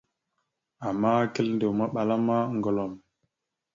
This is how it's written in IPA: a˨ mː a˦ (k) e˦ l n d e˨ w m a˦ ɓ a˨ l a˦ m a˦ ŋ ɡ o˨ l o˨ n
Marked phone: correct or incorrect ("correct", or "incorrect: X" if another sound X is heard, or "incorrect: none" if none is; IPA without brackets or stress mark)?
correct